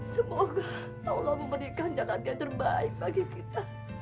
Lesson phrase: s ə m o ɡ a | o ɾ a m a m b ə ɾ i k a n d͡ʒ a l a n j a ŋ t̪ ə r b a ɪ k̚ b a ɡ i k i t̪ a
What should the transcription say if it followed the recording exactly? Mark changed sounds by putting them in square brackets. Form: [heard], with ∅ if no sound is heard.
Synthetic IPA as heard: s ə m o ɡ a | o [l] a m [ə] m b ə ɾ i k a n d͡ʒ a l a n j a ŋ t̪ ə r b a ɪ k̚ b a ɡ i k i t̪ a